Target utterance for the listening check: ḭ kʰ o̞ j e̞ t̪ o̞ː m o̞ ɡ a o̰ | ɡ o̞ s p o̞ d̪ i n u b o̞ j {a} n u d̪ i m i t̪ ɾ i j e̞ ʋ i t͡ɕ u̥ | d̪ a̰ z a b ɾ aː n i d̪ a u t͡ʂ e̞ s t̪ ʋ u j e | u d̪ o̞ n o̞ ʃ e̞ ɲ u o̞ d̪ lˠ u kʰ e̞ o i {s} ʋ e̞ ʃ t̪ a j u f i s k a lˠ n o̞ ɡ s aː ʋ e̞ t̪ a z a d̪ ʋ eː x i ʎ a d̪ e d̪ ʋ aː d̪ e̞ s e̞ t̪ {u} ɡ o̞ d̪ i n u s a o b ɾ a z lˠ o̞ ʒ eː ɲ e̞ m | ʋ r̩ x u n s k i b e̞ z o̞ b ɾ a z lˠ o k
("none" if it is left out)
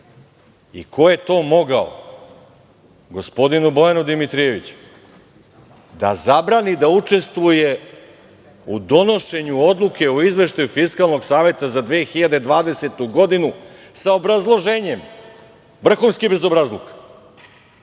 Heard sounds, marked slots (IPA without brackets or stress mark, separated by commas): a, z, u